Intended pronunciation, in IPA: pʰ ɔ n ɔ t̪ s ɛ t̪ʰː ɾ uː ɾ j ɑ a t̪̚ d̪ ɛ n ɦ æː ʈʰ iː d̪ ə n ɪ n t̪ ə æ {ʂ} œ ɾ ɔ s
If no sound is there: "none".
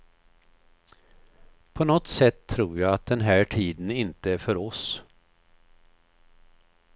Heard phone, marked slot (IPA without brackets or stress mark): f